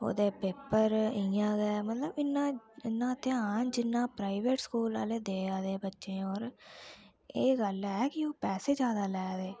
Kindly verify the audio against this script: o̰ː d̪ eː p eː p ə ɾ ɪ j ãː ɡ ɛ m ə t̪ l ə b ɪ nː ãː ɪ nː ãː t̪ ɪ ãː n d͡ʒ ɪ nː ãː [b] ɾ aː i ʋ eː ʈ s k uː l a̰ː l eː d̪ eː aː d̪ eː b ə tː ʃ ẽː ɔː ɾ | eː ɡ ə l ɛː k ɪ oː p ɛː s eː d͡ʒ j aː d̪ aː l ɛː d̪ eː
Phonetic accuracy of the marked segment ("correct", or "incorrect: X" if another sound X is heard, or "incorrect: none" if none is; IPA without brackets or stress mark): incorrect: p